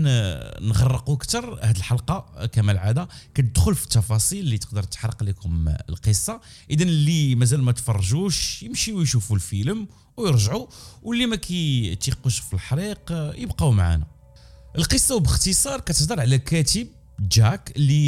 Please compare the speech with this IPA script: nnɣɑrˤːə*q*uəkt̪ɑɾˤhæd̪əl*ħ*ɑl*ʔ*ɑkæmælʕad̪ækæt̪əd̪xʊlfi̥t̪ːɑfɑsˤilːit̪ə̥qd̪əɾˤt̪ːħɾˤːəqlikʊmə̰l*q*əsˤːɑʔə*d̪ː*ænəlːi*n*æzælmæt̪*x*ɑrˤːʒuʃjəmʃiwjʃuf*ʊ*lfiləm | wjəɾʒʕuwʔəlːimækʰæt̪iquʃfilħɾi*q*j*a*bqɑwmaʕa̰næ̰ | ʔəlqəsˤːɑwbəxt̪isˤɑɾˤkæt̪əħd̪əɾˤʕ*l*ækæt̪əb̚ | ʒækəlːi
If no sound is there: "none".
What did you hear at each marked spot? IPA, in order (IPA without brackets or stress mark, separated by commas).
q, ħ, q, q, d̪, m, f, u, q, ə, l